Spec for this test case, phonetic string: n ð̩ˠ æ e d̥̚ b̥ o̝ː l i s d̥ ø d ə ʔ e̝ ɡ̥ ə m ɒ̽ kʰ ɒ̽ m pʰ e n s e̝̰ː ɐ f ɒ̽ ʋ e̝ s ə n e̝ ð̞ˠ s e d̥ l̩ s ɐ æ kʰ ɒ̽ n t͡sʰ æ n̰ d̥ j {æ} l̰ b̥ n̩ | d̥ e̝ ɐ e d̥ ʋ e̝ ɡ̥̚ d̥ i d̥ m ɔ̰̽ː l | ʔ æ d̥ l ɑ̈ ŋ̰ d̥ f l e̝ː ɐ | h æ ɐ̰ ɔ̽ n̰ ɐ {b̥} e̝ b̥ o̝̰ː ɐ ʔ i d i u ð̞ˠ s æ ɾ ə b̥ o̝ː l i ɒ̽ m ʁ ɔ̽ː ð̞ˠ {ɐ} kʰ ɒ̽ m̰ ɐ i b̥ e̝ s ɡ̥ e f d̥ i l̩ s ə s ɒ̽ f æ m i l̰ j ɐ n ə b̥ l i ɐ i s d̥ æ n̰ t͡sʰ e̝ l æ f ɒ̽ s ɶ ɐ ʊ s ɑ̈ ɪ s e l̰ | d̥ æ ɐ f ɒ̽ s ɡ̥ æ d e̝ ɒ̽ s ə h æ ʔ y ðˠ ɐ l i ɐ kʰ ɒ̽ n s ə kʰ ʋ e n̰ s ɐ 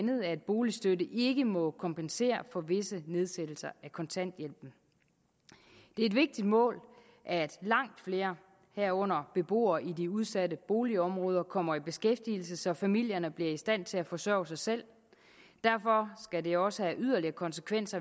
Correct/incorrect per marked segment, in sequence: incorrect, correct, correct

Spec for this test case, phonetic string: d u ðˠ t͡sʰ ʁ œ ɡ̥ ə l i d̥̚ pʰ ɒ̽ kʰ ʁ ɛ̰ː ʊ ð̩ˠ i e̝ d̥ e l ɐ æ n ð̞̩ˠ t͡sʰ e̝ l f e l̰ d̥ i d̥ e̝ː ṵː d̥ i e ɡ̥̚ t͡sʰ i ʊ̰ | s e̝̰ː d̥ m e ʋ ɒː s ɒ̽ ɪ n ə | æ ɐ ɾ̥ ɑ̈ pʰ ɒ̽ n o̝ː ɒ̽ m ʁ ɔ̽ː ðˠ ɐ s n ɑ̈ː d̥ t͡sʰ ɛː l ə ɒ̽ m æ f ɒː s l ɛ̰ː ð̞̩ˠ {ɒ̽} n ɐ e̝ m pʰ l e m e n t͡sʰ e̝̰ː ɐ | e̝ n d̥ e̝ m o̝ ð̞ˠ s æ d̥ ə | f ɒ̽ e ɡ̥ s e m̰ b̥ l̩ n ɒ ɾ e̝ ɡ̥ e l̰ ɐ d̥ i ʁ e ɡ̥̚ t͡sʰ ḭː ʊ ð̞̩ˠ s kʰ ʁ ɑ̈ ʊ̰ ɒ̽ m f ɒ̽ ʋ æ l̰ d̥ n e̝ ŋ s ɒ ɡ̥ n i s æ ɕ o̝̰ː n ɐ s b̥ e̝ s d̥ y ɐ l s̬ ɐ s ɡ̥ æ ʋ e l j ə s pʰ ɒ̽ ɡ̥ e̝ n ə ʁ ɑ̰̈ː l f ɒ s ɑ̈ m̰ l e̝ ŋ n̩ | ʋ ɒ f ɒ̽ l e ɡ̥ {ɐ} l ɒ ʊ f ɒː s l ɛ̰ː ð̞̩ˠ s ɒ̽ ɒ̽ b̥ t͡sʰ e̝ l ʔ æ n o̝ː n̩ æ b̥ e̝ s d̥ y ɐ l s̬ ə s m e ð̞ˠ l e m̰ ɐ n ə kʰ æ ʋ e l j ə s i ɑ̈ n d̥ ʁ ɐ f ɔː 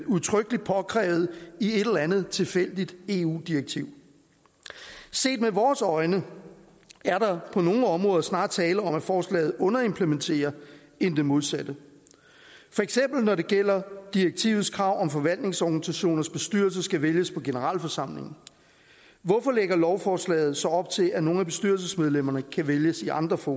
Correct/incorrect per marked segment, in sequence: incorrect, correct

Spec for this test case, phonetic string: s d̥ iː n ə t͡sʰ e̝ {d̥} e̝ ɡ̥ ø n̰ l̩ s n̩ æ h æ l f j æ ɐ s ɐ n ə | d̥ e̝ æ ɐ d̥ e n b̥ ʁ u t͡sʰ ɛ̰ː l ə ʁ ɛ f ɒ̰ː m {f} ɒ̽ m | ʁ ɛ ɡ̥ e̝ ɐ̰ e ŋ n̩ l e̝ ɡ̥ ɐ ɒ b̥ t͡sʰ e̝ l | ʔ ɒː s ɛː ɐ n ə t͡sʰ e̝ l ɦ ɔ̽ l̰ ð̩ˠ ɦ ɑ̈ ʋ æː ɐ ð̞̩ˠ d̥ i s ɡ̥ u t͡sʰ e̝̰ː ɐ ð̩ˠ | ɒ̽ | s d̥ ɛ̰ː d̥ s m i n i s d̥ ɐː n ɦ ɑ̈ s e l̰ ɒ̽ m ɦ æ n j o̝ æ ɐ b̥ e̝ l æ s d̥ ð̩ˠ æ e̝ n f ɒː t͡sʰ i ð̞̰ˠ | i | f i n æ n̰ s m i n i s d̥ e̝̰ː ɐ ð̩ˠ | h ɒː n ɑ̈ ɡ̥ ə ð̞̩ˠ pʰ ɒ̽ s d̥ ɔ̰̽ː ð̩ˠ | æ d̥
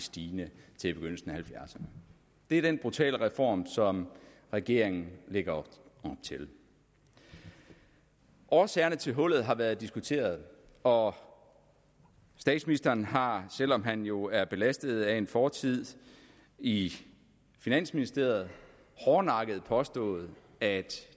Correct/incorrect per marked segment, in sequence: incorrect, incorrect

